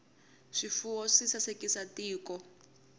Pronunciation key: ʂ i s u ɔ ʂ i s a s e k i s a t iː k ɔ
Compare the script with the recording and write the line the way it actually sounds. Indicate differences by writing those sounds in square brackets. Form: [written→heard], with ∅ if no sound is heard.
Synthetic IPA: ʂ i [s→f] u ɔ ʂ i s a s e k i s a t iː k ɔ